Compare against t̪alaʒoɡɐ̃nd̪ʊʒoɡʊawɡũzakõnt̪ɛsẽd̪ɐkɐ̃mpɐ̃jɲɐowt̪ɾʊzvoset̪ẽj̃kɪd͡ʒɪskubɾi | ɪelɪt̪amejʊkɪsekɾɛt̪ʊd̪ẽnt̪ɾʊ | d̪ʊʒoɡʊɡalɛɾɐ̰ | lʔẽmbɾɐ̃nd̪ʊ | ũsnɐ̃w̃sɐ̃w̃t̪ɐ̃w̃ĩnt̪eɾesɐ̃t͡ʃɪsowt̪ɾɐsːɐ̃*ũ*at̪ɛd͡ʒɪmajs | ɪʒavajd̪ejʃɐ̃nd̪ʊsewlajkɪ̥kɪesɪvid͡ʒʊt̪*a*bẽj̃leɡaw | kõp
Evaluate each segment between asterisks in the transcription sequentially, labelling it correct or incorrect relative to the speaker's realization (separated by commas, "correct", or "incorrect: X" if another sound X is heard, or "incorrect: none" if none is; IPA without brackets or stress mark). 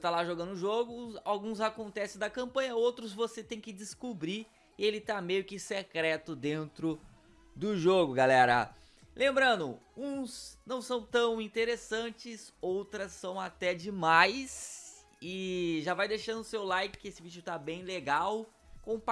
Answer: incorrect: w̃, correct